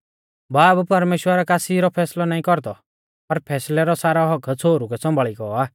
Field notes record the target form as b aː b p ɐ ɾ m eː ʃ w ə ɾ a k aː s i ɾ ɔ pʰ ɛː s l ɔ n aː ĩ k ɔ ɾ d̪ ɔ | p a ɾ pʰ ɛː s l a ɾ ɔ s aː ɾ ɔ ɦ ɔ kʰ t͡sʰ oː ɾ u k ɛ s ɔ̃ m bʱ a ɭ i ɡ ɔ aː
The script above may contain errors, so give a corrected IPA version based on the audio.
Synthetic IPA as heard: b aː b p ɐ ɾ m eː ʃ w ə ɾ a k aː s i ɾ ɔ pʰ ɛː s l ɔ n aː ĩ k ɔ ɾ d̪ ɔ | p ɐ ɾ pʰ ɛː s l ɛ ɾ ɔ s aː ɾ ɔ ɦ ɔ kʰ t͡sʰ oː ɾ u k ɛ s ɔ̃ m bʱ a ɭ i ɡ ɔ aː